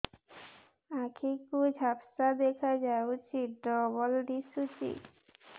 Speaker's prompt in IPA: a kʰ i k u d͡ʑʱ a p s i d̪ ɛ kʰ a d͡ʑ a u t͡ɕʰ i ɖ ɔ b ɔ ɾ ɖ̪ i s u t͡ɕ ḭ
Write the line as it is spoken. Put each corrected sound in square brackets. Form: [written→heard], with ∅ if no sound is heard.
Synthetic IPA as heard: a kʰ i k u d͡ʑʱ a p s [i→a] d̪ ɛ kʰ a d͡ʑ a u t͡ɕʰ i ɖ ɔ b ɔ [ɾ→l] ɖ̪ i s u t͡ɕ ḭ